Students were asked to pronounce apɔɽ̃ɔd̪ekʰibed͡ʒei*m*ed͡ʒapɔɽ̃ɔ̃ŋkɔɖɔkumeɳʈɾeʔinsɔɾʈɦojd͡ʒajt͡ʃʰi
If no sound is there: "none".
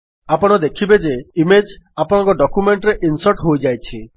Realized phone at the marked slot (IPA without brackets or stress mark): m